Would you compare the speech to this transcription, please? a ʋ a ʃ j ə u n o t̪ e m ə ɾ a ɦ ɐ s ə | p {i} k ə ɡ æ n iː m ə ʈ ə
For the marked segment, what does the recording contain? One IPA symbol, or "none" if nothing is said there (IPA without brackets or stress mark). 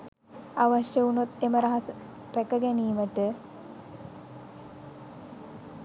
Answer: æ